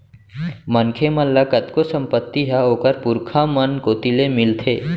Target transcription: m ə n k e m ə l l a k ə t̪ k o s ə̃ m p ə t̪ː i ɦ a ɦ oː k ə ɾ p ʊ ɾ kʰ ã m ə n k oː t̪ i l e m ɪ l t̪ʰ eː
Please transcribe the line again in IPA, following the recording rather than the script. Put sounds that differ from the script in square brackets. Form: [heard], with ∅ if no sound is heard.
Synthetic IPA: m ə n [kʰ] e m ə l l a k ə t̪ k o s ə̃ m p ə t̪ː i ɦ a ɦ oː k ə ɾ p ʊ ɾ kʰ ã m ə n k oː t̪ i l e m ɪ l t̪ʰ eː